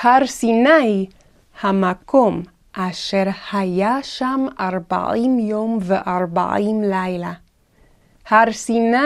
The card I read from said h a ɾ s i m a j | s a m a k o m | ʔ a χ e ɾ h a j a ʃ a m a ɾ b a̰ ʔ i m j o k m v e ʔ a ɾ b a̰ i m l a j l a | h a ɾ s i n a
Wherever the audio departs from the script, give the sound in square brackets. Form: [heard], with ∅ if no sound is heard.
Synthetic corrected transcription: h a ɾ s i [n] a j | [h] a m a k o m | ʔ a [ʃ] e ɾ h a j a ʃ a m a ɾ b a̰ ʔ i m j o [∅] m v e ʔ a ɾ b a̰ i m l a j l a | h a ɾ s i n a